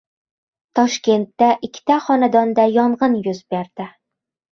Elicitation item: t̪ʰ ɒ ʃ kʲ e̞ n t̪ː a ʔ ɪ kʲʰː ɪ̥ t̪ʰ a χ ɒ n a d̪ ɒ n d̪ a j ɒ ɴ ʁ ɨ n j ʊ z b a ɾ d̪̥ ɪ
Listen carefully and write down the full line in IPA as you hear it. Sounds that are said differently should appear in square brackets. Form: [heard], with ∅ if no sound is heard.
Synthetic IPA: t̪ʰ ɒ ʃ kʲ e̞ n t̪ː a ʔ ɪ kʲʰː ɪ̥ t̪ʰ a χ ɒ n a d̪ ɒ n d̪ a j ɒ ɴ ʁ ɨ n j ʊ z b [e] ɾ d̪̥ ɪ